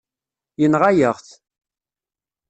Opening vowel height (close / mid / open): mid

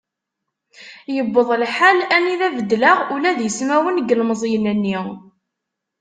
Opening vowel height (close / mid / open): mid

